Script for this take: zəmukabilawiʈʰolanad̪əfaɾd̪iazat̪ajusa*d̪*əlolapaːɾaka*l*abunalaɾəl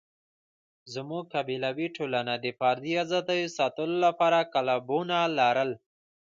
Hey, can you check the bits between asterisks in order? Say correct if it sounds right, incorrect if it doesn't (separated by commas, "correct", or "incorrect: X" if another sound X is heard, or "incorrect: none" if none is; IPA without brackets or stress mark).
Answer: incorrect: t̪, correct